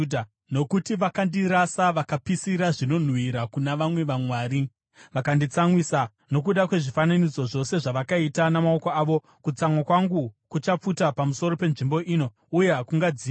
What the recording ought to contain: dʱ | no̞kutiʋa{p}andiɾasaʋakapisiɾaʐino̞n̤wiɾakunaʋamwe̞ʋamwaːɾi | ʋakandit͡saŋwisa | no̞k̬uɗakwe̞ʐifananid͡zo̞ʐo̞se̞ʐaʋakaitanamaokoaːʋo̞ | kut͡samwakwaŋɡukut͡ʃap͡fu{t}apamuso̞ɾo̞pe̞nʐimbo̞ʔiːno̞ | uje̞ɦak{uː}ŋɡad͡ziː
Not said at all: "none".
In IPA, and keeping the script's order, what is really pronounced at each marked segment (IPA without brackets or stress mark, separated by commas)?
k, t, u